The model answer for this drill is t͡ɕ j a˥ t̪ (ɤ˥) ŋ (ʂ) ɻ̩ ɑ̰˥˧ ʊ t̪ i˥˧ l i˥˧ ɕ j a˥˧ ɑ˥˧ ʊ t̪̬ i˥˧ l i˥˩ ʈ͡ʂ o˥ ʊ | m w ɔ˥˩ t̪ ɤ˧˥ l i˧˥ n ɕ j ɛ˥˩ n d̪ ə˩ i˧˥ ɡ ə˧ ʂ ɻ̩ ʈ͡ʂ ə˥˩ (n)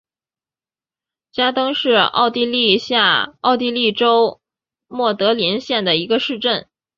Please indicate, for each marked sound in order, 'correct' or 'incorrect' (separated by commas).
correct, correct, correct